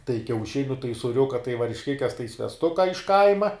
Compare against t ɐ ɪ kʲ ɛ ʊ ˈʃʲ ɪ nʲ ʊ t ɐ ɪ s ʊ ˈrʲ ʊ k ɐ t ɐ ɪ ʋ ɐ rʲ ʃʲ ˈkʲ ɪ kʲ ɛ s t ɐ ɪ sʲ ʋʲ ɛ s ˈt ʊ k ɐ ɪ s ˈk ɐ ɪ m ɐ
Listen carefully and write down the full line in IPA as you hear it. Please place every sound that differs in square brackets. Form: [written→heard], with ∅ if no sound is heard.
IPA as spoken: t ɐ ɪ kʲ ɛ ʊ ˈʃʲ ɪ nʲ ʊ t ɐ ɪ s ʊ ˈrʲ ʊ k ɐ t ɐ ɪ ʋ ɐ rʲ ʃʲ ˈkʲ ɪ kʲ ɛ s t ɐ ɪ sʲ ʋʲ ɛ s ˈt ʊ k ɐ ɪ [s→ʃ] ˈk ɐ ɪ m ɐ